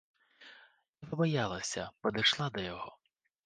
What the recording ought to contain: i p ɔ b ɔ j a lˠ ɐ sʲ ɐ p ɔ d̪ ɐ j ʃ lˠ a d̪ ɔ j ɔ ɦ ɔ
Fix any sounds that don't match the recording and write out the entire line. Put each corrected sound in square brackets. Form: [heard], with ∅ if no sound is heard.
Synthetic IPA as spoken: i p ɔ b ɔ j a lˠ ɐ sʲ ɐ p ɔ d̪ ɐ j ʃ lˠ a d̪ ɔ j ɔ ɦ ɔ